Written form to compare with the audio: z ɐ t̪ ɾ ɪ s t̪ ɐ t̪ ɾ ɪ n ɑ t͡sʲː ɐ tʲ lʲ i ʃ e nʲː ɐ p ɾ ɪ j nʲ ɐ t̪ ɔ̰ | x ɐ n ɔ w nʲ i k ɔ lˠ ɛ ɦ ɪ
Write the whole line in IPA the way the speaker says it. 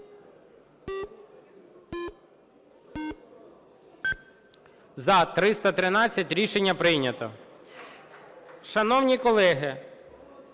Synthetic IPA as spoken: z ɐ t̪ ɾ ɪ s t̪ ɐ t̪ ɾ ɪ n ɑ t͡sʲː ɐ tʲ ɾʲ i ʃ e nʲː ɐ p ɾ ɪ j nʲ ɐ t̪ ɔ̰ | ʃ ɐ n ɔ w nʲ i k ɔ lˠ ɛ ɦ ɪ